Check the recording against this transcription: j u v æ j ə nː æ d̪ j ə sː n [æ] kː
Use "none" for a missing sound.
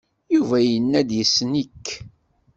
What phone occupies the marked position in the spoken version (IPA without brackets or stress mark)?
i